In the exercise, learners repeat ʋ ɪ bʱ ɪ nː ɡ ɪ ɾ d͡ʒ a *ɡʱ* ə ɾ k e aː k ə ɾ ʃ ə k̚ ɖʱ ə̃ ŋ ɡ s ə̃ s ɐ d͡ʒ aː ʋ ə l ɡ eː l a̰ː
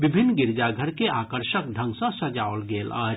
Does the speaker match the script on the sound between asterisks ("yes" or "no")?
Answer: yes